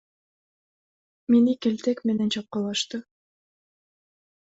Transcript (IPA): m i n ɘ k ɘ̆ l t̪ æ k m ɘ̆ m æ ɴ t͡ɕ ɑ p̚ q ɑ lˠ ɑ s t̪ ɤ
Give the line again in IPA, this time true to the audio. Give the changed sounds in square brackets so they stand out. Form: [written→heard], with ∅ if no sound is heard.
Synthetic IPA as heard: m i n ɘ k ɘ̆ l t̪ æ k m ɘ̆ [m→n] æ [ɴ→n] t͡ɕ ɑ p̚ q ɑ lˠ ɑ [s→ʃ] t̪ ɤ